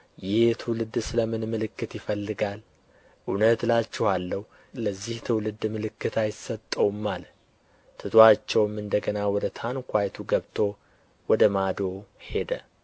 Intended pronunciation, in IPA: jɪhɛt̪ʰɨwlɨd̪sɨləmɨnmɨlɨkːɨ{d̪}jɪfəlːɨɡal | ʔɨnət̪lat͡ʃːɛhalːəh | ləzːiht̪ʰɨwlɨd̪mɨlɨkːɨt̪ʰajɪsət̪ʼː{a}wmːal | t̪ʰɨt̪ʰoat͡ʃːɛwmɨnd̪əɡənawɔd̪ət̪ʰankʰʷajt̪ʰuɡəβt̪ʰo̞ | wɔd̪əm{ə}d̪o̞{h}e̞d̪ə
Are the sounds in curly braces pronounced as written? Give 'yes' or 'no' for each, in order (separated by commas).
no, no, no, yes